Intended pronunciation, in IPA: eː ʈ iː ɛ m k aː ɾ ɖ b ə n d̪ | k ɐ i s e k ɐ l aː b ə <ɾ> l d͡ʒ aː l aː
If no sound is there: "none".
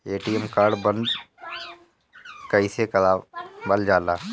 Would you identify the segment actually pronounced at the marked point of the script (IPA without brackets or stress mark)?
none